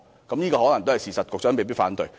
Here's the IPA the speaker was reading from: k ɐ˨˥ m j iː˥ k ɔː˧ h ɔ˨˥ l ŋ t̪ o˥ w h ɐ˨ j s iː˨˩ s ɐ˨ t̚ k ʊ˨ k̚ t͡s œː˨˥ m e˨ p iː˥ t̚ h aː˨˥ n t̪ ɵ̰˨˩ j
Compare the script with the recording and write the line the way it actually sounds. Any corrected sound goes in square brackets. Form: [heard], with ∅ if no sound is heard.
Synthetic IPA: k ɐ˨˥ m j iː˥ k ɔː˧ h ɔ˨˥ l ŋ t̪ o˥ w h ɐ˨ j s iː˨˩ s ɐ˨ t̚ k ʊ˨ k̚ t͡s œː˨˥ m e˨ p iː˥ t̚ [f] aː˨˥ n t̪ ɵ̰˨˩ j